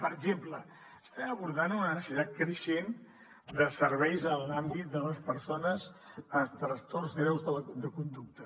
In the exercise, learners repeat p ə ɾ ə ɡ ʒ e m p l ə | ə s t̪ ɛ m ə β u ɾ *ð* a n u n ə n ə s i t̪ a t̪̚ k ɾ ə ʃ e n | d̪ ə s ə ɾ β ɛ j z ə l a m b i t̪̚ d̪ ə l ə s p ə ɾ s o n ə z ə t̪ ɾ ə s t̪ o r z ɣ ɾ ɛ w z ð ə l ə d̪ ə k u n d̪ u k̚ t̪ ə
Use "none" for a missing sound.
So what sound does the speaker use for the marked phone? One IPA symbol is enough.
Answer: ð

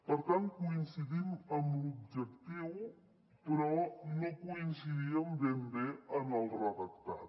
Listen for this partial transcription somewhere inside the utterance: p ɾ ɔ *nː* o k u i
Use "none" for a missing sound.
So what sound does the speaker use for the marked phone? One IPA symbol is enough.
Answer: n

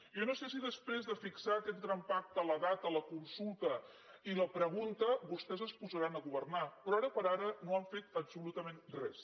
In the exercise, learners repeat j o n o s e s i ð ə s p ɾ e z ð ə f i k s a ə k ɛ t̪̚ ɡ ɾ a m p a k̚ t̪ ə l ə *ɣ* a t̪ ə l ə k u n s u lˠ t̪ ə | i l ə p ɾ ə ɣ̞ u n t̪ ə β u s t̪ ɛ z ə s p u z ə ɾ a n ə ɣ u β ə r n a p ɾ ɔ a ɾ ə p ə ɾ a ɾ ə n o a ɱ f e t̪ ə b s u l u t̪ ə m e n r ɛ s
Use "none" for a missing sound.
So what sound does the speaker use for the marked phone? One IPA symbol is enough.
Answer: ð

